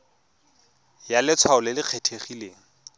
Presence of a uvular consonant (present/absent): present